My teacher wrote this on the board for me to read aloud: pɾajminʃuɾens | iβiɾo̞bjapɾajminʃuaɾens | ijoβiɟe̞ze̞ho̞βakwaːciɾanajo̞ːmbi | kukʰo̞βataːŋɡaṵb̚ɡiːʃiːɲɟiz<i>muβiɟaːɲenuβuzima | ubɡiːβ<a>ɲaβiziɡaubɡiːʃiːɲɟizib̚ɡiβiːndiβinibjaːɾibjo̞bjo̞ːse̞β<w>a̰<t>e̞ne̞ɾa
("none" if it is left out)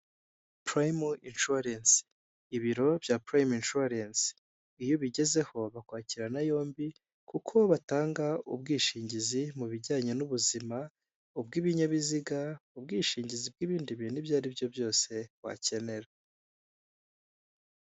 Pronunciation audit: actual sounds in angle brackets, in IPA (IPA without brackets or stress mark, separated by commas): i, i, w, c